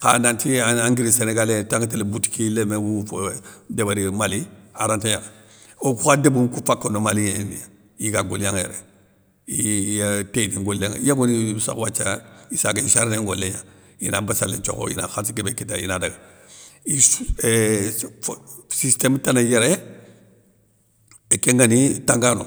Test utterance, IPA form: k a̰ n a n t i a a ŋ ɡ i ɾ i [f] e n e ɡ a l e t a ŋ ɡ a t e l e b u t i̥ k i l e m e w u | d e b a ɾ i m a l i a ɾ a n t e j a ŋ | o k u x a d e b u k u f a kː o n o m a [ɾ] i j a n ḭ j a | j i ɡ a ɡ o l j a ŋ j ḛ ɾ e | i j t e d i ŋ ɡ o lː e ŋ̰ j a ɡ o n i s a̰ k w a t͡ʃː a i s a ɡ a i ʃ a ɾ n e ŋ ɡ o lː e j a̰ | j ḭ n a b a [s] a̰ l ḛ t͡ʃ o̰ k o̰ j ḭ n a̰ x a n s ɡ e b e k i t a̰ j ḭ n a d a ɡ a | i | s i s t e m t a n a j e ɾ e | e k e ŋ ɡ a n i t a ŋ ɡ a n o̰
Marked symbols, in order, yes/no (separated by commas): no, no, yes